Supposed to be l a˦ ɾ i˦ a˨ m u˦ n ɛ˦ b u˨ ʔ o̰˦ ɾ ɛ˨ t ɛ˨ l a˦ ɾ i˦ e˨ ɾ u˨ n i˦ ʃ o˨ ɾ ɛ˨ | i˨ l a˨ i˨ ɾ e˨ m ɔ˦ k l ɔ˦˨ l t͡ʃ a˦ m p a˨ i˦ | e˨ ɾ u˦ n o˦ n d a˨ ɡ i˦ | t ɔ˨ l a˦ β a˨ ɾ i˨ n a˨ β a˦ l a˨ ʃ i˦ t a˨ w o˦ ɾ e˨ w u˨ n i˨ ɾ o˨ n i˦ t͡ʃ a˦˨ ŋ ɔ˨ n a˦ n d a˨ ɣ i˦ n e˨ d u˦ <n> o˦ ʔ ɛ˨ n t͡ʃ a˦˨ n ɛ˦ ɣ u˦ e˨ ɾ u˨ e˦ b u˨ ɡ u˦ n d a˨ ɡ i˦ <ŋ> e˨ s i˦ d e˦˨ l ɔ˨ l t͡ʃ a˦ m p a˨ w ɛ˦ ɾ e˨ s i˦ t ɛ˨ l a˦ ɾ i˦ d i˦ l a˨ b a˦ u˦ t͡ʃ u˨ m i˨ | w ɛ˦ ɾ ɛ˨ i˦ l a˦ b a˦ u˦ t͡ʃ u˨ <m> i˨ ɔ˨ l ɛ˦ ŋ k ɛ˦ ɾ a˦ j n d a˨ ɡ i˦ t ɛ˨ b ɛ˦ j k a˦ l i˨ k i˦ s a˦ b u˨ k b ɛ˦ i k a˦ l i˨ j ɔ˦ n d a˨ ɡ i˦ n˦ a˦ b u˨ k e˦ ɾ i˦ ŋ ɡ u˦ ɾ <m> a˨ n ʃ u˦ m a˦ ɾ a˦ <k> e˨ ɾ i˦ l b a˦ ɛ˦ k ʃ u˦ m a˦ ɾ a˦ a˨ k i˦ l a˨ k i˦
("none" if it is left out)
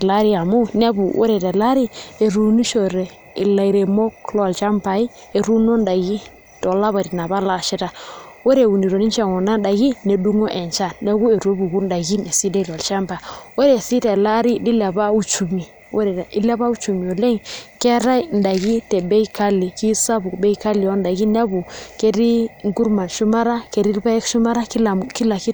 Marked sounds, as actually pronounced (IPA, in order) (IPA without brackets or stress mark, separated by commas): ŋ, n, m, m, k